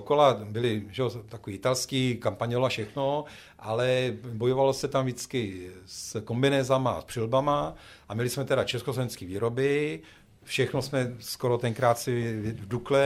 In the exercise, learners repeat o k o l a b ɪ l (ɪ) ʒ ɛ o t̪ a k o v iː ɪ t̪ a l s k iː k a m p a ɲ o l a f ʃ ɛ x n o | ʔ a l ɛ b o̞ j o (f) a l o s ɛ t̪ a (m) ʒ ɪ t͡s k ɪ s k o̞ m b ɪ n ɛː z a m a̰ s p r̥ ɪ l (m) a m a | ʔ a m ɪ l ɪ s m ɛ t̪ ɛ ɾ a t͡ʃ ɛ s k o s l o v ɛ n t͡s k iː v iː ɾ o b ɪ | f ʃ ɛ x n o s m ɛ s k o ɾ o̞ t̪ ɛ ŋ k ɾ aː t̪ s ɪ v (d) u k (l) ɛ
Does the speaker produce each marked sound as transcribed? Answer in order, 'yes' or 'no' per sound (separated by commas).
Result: yes, no, yes, no, yes, yes